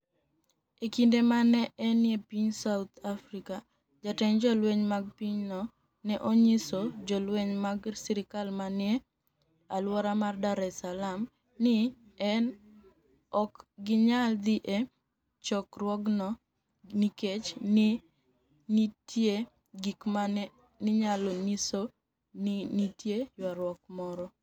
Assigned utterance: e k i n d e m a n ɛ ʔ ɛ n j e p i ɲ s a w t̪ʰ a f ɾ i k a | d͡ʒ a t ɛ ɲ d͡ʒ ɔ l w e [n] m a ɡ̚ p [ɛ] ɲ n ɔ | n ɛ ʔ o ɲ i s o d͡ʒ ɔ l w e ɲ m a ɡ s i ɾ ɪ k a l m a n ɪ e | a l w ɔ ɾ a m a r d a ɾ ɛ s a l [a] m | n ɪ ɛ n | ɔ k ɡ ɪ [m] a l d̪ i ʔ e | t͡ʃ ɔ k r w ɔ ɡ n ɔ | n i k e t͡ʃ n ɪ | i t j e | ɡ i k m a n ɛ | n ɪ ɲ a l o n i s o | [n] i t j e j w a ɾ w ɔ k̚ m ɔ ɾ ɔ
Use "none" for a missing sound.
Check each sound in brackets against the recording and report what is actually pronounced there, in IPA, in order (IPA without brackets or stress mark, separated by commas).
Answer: ɲ, i, a, ɲ, n